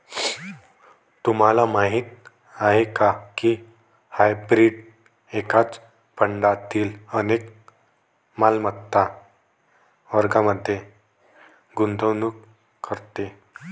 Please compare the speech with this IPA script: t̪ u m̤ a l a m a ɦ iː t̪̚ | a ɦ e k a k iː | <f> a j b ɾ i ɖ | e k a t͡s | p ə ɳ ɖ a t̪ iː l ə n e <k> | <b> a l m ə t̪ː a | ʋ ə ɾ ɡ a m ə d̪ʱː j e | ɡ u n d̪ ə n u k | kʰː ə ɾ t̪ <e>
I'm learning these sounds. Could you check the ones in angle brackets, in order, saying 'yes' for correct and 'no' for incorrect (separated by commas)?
no, yes, no, yes